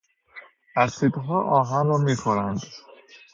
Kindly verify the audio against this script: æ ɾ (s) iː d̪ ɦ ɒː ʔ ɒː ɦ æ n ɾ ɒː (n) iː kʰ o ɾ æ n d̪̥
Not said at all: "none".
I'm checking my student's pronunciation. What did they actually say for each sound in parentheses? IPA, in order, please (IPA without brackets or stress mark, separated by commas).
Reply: s, m